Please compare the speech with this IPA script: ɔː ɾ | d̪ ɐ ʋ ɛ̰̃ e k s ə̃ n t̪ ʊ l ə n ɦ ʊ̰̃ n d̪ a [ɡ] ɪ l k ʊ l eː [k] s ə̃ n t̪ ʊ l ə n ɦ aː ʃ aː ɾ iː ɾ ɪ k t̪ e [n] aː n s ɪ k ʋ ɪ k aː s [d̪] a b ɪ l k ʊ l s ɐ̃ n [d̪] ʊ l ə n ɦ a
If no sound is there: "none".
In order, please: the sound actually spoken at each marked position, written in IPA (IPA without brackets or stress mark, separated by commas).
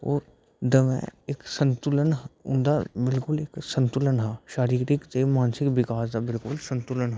b, k, m, d̪, t̪